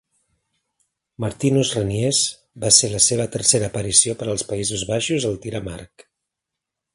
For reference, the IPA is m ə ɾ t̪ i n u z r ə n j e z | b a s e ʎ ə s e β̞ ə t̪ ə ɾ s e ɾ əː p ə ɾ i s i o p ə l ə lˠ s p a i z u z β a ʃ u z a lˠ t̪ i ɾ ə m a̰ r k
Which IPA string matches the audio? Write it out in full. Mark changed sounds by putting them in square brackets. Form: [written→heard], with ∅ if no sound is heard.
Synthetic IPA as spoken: m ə ɾ t̪ i n u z r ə n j e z | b a s e [ʎ→l] ə s e β̞ ə t̪ ə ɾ s e ɾ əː p ə ɾ i s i o p ə [l→ɾ] ə lˠ s p [a→ə] i z u z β a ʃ u z [a→ə] lˠ t̪ i ɾ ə m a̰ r k